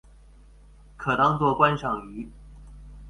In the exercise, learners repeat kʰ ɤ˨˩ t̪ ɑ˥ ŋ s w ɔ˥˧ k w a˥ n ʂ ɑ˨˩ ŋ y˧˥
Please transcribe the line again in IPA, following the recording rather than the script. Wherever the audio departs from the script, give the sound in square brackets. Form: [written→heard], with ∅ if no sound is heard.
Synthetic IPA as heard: kʰ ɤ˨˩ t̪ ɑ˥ ŋ [s→t͡s] w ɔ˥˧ k w a˥ n ʂ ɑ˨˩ ŋ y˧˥